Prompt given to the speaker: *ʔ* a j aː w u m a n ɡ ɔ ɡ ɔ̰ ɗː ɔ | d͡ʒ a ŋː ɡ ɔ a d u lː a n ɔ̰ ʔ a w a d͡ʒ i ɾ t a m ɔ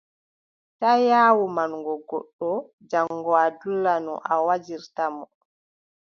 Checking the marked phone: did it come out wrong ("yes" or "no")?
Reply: yes